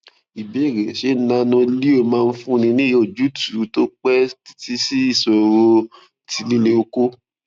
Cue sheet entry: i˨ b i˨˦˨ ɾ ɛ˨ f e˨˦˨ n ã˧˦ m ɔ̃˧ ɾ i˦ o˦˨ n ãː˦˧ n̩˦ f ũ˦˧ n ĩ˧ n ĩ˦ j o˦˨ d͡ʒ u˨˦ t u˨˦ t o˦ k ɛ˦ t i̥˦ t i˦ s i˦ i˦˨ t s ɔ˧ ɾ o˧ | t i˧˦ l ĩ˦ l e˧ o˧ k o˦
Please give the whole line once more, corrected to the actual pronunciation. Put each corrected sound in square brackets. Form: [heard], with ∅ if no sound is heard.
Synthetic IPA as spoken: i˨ b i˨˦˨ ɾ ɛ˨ [ʃ] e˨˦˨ n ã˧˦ [n] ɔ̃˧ [l] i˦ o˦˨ [m] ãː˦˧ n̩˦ f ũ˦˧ n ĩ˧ n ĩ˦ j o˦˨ d͡ʒ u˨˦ t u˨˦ t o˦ [k͡p] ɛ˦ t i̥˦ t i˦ s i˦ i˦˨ [∅] s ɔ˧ ɾ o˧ | t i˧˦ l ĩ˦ l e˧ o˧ k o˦